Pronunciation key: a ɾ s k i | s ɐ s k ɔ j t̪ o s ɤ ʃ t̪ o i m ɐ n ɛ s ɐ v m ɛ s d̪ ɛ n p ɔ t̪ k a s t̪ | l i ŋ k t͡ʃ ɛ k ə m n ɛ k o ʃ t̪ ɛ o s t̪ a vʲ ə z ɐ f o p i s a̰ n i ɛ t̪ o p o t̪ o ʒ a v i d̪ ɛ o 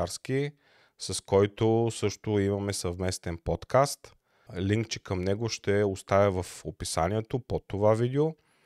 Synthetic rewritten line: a ɾ s k i | s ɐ s k ɔ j t̪ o s ɤ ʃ t̪ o i m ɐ m ɛ s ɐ v m ɛ s t̪ ɛ n p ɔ t̪ k a s t̪ | l i ŋ k t͡ʃ ɛ k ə m n ɛ ɡ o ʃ t̪ ɛ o s t̪ a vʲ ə v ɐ f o p i s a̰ n i ɛ t̪ o p o t̪ o v a v i d̪ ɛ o